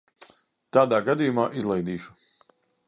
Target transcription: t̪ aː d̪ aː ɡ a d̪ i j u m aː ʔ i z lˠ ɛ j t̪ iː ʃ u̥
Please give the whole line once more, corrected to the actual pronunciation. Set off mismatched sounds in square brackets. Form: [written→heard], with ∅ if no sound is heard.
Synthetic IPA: t̪ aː d̪ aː ɡ a d̪ i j u m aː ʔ i z lˠ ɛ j [t̪→d̪] iː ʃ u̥

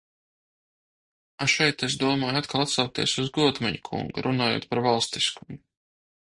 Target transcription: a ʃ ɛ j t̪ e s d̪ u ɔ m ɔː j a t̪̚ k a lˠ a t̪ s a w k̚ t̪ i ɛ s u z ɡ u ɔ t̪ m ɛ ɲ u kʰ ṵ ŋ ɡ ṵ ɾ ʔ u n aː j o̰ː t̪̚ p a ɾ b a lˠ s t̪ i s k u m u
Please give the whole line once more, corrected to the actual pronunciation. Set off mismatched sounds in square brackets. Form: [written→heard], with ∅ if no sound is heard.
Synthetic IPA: a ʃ ɛ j t̪ e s d̪ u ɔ m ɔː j a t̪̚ k a lˠ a t̪ s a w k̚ t̪ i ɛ s u z ɡ u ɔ t̪ m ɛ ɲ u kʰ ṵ ŋ ɡ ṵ ɾ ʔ u n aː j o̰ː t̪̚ p a ɾ [b→v] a lˠ s t̪ i s k u m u

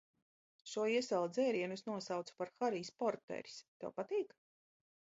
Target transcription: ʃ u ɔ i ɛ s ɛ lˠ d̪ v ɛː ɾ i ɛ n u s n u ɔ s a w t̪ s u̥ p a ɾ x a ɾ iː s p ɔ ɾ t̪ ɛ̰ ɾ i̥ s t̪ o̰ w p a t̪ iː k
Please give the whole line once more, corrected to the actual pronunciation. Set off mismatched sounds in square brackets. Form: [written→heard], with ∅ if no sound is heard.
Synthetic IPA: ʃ u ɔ i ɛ s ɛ lˠ d̪ [v→z] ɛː ɾ i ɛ n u s n u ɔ s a w t̪ s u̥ p a ɾ x a ɾ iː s p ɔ ɾ t̪ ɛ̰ ɾ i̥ s t̪ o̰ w p a t̪ iː k

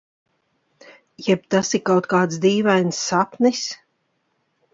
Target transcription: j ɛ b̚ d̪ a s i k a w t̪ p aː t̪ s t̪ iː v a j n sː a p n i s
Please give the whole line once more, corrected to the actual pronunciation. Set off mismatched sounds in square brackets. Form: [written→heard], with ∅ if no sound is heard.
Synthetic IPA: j ɛ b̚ [d̪→t̪] a s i k a w t̪ [p→k] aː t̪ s [t̪→d̪] iː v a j n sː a p n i s

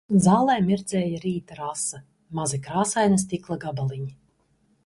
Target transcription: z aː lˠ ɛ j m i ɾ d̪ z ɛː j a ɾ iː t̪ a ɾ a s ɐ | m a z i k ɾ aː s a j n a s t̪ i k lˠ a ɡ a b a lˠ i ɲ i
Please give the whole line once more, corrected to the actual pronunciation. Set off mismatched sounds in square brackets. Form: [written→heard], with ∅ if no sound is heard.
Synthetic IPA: z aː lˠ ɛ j m i ɾ d̪ z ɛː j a ɾ iː t̪ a ɾ a s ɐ | m a z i k ɾ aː s a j n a s t̪ i k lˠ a ɡ a b a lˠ i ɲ i

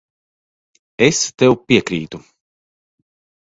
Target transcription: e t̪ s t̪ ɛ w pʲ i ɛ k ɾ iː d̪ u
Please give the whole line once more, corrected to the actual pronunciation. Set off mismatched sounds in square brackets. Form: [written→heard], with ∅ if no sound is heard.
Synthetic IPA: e [t̪→∅] s t̪ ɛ w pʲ i ɛ k ɾ iː [d̪→t̪] u

